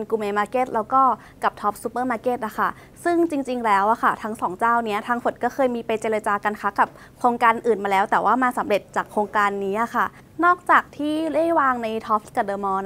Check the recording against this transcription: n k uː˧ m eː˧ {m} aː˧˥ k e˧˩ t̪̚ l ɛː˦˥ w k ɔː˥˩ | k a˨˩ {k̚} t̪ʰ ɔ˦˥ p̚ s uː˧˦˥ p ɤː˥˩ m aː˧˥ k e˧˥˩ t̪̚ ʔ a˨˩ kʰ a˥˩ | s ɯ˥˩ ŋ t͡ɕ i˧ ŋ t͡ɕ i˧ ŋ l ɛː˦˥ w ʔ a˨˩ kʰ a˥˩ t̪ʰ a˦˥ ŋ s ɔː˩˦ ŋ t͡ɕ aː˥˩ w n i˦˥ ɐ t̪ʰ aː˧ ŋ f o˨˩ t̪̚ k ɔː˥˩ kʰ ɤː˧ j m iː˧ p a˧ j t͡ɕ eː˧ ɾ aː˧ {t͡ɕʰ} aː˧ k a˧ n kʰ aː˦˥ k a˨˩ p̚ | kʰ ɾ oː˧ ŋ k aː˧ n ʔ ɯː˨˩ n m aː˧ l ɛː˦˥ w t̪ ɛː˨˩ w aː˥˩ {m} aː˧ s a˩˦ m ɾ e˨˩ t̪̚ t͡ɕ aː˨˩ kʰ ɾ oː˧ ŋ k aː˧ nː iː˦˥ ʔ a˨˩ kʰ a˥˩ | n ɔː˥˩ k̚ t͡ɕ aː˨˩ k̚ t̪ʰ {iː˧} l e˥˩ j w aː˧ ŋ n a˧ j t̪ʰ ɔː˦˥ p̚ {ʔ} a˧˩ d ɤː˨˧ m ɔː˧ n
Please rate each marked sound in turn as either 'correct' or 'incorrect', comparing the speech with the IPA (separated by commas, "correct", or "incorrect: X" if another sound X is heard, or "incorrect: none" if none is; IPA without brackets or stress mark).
correct, incorrect: p̚, incorrect: t͡ɕ, correct, incorrect: iː˥˩, incorrect: k